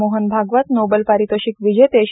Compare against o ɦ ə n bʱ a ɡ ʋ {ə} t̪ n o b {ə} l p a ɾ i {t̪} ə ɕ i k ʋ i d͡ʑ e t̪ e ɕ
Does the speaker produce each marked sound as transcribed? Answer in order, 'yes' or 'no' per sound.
no, yes, yes

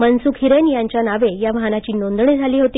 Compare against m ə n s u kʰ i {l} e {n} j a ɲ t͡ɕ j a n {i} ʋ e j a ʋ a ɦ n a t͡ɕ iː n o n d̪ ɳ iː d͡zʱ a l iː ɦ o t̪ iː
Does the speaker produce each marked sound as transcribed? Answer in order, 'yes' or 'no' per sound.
no, yes, no

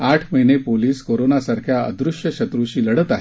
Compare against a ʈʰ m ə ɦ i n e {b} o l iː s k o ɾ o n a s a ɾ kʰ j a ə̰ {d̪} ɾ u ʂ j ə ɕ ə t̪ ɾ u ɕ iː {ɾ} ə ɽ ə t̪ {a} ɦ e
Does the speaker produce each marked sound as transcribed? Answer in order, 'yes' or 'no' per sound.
no, yes, no, yes

